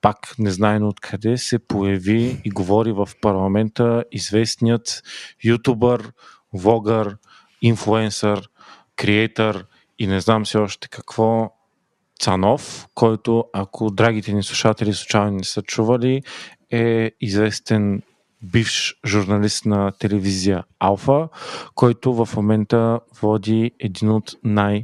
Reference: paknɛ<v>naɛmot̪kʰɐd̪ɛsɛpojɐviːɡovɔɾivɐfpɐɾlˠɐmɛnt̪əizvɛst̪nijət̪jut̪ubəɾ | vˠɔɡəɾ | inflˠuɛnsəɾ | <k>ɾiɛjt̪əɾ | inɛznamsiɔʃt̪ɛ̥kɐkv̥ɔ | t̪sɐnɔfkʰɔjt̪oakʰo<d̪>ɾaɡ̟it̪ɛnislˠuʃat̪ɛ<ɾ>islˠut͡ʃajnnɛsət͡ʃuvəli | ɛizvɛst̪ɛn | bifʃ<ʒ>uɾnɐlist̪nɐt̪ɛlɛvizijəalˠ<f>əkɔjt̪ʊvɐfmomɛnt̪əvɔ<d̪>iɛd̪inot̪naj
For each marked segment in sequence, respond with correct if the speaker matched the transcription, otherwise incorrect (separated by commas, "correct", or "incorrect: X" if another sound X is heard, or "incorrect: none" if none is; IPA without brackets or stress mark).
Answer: incorrect: z, correct, correct, incorrect: l, correct, correct, correct